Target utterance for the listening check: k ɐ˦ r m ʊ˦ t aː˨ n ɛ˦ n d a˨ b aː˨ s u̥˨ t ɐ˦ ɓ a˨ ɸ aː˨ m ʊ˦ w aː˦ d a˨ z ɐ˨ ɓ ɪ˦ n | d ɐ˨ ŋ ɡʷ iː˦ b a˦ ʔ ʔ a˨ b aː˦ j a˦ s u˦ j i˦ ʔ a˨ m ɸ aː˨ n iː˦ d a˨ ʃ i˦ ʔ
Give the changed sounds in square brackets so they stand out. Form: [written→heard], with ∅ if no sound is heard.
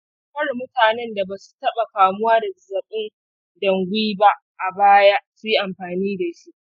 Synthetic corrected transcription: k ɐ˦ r m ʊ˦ t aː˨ n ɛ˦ n d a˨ b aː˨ s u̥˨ t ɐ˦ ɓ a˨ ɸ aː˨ m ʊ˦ w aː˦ d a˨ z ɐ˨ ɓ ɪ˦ n | d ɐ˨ ŋ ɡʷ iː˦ b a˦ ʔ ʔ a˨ b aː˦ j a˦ s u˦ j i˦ ʔ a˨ m ɸ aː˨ n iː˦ d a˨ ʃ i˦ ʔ